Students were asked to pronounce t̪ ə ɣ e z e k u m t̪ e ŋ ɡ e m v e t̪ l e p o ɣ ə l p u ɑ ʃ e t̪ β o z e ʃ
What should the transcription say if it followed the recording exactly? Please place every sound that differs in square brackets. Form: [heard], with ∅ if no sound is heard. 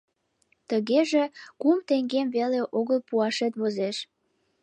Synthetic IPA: t̪ ə ɣ e [ʒ] e k u m t̪ e ŋ ɡ e m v e [∅] l e [ʔ] o ɣ ə l p u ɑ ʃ e t̪ β o z e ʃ